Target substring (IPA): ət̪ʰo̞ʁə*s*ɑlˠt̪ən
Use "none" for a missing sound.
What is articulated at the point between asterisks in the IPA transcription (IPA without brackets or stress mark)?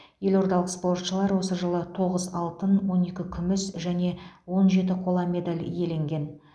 z